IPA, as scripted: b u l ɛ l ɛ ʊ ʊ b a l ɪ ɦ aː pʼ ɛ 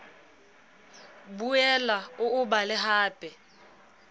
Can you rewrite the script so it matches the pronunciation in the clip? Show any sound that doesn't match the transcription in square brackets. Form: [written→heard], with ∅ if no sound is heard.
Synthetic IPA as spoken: b u [l→∅] ɛ l [ɛ→a] ʊ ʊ b a l ɪ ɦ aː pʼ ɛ